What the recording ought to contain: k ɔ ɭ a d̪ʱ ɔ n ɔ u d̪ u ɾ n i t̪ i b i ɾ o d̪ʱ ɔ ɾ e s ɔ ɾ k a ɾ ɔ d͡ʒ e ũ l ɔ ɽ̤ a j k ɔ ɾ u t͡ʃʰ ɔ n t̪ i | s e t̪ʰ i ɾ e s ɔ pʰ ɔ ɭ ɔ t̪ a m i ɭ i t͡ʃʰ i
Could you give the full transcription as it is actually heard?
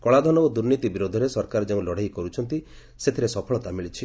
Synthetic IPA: k ɔ ɭ a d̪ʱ ɔ n ɔ o d̪ u ɾ n i t̪ i b i ɾ o d̪ʱ ɔ ɾ e s ɔ ɾ k a ɾ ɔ d͡ʒ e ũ l ɔ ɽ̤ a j k ɔ ɾ u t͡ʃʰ ɔ n t̪ i | s e t̪ʰ i ɾ e s ɔ pʰ ɔ ɭ ɔ t̪ a m i ɭ i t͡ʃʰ i